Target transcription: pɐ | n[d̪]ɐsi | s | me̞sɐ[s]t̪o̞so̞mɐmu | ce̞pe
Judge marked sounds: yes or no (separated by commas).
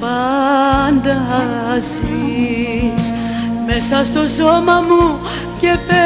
yes, yes